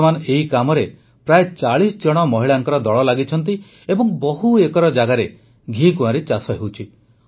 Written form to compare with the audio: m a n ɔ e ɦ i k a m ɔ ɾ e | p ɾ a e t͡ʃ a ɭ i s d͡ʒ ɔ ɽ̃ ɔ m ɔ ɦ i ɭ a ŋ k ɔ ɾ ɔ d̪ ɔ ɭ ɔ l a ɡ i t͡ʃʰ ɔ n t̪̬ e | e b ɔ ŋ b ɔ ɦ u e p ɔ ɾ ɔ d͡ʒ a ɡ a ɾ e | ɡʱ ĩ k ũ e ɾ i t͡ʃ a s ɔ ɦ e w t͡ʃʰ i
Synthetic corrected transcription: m a n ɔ e ɦ i k a m ɔ ɾ e | p ɾ a e t͡ʃ a ɭ i s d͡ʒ ɔ ɽ̃ ɔ m ɔ ɦ i ɭ a ŋ k ɔ ɾ ɔ d̪ ɔ ɭ ɔ l a ɡ i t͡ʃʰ ɔ n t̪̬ i | e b ɔ ŋ b ɔ ɦ u e k ɔ ɾ ɔ d͡ʒ a ɡ a ɾ e | ɡʱ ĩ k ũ a ɾ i t͡ʃ a s ɔ ɦ e w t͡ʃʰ i